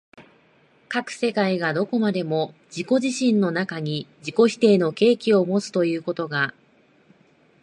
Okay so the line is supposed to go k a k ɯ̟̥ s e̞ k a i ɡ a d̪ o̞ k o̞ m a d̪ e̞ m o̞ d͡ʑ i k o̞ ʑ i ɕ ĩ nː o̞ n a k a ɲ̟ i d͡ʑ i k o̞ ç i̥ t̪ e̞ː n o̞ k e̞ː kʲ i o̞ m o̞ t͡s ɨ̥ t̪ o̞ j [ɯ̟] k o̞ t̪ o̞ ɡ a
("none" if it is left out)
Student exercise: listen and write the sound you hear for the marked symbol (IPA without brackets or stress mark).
ɯ̟ː